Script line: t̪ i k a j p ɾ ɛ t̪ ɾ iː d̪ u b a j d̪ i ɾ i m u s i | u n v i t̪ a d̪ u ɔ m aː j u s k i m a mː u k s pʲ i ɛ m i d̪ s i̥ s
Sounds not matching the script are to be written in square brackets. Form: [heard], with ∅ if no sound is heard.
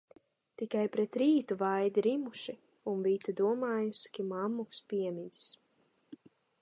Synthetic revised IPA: t̪ i k a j p ɾ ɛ t̪ ɾ iː [t̪] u [v] a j d̪ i ɾ i m u [ʃ] i | u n v i t̪ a d̪ u ɔ m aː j u s k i m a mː u k s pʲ i ɛ m i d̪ [z] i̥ s